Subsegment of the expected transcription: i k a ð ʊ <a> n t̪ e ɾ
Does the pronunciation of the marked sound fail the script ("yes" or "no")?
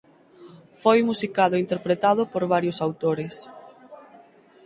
yes